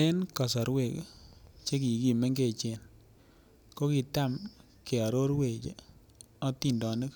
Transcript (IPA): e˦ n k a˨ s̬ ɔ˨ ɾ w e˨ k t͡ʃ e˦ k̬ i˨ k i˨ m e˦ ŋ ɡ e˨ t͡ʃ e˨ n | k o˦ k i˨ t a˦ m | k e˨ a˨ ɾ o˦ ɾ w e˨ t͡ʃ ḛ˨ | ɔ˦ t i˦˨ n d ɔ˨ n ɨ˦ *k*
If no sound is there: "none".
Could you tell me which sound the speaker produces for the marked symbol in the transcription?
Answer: k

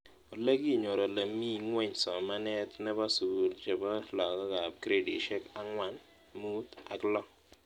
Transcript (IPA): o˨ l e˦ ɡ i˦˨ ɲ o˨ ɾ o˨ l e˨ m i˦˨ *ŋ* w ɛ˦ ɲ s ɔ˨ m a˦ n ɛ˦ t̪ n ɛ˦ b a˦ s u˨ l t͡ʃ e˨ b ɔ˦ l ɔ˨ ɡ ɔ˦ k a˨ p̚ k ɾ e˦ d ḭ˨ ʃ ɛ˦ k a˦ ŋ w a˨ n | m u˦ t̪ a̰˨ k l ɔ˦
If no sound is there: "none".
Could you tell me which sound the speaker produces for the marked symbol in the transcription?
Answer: ŋ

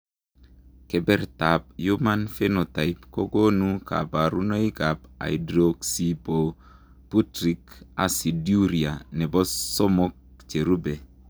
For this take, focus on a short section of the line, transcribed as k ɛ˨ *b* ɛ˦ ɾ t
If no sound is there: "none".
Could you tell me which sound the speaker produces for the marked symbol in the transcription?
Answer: b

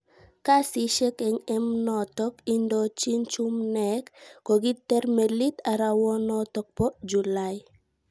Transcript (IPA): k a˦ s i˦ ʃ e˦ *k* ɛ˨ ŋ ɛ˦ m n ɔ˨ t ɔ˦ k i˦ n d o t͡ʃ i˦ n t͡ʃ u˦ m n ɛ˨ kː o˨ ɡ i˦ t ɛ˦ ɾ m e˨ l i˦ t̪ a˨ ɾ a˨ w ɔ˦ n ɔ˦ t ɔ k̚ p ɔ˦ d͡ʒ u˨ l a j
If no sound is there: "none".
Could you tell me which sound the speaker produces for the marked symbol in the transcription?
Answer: k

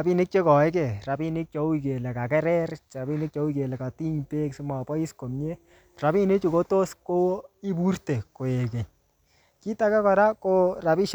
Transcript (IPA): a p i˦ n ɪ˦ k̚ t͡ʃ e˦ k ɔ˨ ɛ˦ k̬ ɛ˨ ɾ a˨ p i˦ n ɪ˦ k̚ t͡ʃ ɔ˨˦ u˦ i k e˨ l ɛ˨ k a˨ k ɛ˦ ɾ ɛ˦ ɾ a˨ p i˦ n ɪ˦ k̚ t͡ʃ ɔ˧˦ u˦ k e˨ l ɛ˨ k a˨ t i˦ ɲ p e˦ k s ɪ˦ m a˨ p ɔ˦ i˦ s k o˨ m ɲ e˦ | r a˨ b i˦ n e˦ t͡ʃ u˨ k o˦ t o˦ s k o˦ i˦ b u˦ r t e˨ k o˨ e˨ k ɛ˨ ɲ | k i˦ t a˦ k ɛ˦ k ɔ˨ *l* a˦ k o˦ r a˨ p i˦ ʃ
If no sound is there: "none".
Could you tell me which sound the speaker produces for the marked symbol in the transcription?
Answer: ɾ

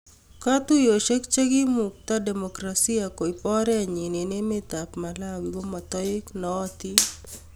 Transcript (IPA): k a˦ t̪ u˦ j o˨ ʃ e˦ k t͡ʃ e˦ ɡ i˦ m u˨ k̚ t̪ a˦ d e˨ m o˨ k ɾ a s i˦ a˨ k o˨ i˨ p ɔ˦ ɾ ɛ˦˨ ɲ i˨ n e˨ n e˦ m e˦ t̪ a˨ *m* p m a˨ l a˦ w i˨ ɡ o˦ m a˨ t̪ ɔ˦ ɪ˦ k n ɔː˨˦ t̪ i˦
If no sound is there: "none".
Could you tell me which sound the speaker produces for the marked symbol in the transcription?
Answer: none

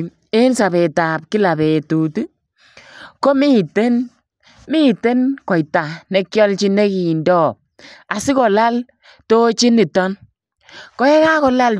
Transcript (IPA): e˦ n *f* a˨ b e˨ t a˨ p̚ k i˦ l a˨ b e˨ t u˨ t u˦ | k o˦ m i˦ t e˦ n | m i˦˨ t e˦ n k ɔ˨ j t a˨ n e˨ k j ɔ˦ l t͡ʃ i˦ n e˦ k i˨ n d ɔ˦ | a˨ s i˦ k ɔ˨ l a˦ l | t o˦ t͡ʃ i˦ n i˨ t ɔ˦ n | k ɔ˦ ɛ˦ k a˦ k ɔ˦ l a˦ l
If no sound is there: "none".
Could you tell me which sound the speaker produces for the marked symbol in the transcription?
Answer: s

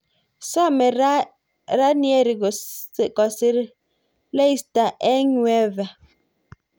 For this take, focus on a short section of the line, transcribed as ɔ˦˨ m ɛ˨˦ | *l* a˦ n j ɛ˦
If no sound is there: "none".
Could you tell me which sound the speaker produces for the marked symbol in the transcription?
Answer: ɾ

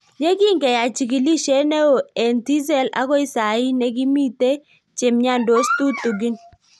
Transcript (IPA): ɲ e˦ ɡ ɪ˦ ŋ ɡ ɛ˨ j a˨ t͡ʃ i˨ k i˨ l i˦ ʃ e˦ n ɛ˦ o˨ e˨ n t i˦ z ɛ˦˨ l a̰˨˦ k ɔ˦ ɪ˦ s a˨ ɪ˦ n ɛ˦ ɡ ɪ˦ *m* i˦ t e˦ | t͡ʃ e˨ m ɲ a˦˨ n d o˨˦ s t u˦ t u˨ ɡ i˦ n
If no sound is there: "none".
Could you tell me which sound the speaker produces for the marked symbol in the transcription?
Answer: m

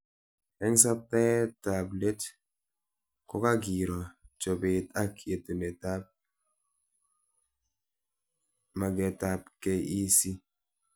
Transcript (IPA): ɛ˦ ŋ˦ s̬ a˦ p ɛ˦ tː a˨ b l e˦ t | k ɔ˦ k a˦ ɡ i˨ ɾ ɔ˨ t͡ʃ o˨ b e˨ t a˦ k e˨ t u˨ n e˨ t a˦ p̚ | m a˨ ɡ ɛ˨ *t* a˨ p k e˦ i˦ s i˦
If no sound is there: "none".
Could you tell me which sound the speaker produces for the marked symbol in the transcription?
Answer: t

